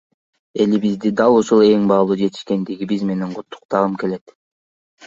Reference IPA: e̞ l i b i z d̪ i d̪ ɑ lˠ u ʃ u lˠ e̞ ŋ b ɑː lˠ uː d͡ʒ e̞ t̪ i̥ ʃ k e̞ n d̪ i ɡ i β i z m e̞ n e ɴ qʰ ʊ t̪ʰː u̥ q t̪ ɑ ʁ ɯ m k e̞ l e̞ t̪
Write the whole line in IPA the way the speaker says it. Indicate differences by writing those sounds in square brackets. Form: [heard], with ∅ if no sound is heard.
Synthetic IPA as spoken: e̞ l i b i z d̪ i d̪ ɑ lˠ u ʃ u lˠ e̞ ŋ b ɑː lˠ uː d͡ʒ e̞ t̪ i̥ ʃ k e̞ n d̪ i ɡ i [b] i z m e̞ n e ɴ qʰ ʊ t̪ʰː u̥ q t̪ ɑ ʁ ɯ m k e̞ l e̞ t̪

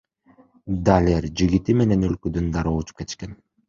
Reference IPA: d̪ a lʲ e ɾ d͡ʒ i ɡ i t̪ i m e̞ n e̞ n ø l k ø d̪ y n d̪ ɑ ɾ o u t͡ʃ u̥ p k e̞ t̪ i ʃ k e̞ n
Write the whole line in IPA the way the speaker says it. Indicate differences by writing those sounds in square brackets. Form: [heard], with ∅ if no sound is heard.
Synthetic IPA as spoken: d̪ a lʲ e ɾ d͡ʒ i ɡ i t̪ i m e̞ n e̞ n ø l k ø d̪ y n d̪ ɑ ɾ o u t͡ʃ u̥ p k e̞ t̪ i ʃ k e̞ n

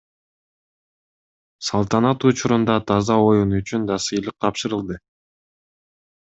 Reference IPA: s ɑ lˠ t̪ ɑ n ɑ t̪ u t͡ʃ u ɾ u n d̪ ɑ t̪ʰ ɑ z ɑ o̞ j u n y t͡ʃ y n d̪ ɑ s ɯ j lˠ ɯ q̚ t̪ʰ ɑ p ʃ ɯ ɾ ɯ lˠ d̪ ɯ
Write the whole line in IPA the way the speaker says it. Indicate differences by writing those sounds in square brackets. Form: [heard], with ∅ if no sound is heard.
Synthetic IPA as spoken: s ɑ lˠ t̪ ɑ n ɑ t̪ u t͡ʃ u ɾ u n d̪ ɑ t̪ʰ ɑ z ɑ o̞ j u n y t͡ʃ y n d̪ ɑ s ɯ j lˠ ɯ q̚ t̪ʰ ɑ p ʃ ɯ ɾ ɯ lˠ d̪ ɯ

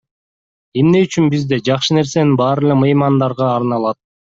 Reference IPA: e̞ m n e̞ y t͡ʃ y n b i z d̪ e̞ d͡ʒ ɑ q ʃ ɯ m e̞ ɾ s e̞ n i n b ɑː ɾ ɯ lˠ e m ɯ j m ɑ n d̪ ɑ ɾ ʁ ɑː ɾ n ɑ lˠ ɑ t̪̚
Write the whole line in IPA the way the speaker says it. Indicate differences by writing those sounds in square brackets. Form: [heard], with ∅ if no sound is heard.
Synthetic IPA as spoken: e̞ m n e̞ y t͡ʃ y n b i z d̪ e̞ d͡ʒ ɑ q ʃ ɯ [n] e̞ ɾ s e̞ n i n b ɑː ɾ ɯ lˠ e m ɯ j m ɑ n d̪ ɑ ɾ ʁ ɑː ɾ n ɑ lˠ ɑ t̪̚

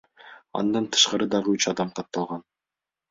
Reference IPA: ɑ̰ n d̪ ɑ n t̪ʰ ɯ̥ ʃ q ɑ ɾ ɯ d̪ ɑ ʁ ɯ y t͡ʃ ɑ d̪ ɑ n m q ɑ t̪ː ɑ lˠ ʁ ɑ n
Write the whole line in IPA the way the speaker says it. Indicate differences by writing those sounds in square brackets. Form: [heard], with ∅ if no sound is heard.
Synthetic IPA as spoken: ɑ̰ n d̪ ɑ n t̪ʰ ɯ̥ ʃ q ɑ ɾ ɯ d̪ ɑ ʁ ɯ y t͡ʃ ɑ d̪ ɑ [∅] m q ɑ t̪ː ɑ lˠ ʁ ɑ n

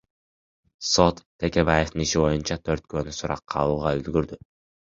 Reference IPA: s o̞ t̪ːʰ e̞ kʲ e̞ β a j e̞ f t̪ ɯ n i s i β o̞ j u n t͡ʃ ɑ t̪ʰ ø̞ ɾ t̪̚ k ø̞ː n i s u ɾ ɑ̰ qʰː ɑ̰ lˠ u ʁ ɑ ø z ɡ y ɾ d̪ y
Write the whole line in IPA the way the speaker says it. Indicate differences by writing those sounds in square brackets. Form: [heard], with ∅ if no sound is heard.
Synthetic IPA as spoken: s o̞ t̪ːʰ e̞ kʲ e̞ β a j e̞ f t̪ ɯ n i [ʃ] i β o̞ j u n t͡ʃ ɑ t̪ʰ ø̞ ɾ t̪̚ k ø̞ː n [y] s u ɾ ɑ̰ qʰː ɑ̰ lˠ [uː] ʁ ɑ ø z ɡ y ɾ d̪ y

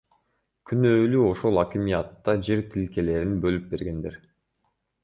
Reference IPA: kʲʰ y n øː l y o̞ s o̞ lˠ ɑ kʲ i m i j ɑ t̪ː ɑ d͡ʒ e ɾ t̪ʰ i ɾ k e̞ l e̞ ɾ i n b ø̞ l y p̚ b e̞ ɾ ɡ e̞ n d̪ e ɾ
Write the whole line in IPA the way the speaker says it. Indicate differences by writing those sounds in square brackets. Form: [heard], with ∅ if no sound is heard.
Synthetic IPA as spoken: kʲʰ y n øː l y o̞ [ʃ] o̞ lˠ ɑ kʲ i m i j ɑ t̪ː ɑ d͡ʒ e ɾ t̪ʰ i [l] k e̞ l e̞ ɾ i n b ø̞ l y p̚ b e̞ ɾ ɡ e̞ n d̪ e ɾ

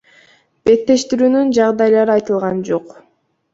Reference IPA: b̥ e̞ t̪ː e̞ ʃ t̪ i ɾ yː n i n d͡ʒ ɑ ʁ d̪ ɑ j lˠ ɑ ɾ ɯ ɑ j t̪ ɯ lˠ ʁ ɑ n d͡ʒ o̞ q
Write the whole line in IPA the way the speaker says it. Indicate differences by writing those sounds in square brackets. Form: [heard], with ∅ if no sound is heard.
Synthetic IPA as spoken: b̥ e̞ t̪ː e̞ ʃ t̪ i ɾ yː n [y] n d͡ʒ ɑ ʁ d̪ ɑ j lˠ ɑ ɾ ɯ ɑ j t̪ ɯ lˠ ʁ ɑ n d͡ʒ o̞ q

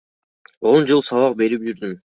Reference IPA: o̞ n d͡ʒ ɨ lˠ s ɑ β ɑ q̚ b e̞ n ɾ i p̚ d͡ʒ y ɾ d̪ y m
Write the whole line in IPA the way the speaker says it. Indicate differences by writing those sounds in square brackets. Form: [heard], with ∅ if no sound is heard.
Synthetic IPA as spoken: o̞ n d͡ʒ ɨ lˠ s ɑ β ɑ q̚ b e̞ [∅] ɾ i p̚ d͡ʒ y ɾ d̪ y m

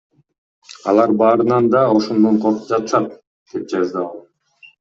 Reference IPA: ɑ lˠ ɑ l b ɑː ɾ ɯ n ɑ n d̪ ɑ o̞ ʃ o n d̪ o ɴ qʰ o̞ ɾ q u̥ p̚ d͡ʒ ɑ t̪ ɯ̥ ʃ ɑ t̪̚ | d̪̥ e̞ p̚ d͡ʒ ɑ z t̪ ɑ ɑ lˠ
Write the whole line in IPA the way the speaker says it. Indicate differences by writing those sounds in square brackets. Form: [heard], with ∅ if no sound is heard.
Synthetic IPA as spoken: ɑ lˠ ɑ [ɾ] b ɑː ɾ ɯ n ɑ n d̪ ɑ o̞ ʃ o n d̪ o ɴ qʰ o̞ ɾ q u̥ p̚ d͡ʒ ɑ t̪ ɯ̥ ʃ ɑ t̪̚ | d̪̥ e̞ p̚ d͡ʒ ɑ z [d̪] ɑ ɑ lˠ

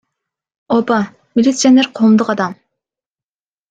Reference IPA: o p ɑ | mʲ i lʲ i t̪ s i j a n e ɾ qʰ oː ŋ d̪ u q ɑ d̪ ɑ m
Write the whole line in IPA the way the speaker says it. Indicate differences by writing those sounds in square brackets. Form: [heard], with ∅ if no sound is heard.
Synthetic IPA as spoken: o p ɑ | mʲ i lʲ i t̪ s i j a n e ɾ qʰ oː [m] d̪ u q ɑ d̪ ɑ m

